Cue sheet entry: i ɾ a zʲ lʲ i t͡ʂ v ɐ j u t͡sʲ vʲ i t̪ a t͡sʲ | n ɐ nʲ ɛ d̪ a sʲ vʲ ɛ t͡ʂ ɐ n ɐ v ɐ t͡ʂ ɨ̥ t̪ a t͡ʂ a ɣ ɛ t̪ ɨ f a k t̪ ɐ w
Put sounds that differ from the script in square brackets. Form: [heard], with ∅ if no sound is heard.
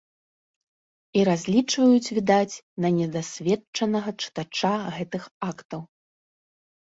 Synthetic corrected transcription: i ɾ a zʲ lʲ i t͡ʂ v ɐ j u t͡sʲ vʲ i [d̪] a t͡sʲ | n ɐ nʲ ɛ d̪ a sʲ vʲ ɛ t͡ʂ ɐ n ɐ [ɣ] ɐ t͡ʂ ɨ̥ t̪ a t͡ʂ a ɣ ɛ t̪ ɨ [x] a k t̪ ɐ w